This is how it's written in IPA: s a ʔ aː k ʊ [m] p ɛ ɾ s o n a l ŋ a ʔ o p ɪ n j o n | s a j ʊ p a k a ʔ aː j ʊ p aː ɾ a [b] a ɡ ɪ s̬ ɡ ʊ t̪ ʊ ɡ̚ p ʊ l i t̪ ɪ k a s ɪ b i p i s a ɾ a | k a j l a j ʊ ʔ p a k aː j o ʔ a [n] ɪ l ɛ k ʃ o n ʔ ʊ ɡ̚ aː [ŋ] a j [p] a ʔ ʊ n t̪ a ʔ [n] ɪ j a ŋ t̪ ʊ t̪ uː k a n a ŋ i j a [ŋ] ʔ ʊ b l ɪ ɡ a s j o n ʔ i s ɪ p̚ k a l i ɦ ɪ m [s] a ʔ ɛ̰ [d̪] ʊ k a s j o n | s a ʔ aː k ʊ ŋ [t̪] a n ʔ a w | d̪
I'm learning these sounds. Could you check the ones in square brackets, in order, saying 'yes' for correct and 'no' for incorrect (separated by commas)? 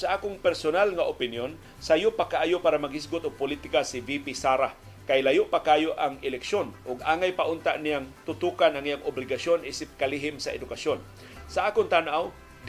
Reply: no, no, no, yes, yes, yes, yes, yes, yes, yes